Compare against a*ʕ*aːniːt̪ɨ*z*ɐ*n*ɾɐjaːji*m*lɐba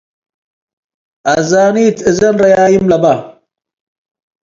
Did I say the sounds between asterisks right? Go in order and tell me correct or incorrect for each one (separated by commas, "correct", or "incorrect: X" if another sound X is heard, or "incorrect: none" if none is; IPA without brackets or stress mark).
incorrect: z, correct, correct, correct